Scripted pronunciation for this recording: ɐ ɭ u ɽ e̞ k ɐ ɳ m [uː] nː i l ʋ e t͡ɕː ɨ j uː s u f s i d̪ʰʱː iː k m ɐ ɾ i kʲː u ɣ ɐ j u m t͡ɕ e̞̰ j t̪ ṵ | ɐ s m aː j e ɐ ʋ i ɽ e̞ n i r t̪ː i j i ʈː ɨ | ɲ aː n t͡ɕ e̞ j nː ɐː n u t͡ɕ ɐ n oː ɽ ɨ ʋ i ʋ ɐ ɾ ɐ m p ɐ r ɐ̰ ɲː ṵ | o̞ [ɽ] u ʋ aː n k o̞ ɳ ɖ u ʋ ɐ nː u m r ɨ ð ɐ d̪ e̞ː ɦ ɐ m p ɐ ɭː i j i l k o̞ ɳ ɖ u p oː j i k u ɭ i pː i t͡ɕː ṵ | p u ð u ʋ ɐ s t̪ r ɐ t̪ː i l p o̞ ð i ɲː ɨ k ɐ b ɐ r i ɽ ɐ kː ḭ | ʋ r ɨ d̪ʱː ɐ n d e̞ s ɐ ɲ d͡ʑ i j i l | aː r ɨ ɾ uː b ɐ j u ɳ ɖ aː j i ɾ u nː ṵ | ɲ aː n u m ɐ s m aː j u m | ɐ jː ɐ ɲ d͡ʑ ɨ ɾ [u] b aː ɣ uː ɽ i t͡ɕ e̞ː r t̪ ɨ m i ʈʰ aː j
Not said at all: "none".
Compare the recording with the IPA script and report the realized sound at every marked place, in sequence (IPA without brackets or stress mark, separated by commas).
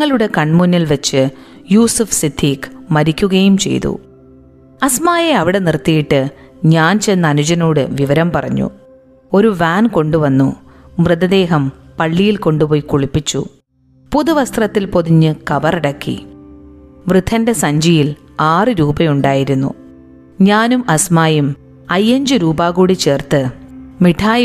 u, ɾ, uː